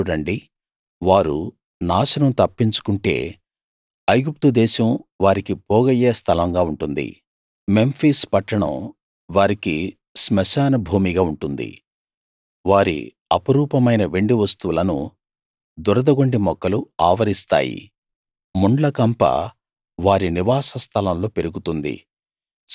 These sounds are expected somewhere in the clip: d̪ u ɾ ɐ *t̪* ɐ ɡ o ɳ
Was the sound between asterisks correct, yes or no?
no